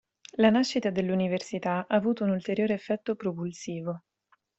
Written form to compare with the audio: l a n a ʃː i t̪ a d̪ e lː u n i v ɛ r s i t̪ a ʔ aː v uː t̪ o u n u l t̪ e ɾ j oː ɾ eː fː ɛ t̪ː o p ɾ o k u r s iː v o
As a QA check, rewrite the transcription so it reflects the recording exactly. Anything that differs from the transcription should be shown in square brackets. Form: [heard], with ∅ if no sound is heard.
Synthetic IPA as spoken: l a n a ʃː i t̪ a d̪ e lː u n i v [e] r s i t̪ a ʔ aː v uː t̪ o u n u l t̪ e ɾ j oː ɾ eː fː ɛ t̪ː o p ɾ o [p] u [l] s iː v o